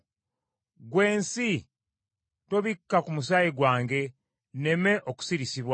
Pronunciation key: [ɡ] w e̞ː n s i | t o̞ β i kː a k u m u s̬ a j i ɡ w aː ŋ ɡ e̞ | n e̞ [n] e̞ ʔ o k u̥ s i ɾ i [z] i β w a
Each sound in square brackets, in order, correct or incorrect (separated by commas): correct, incorrect, incorrect